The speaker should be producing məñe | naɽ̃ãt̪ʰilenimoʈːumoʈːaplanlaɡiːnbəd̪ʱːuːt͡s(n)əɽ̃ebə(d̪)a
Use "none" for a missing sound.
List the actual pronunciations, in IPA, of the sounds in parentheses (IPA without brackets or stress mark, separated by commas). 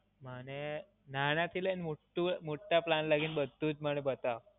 m, t̪